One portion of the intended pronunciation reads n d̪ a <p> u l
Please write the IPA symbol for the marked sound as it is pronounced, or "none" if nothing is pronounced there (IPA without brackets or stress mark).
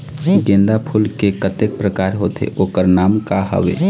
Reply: pʰ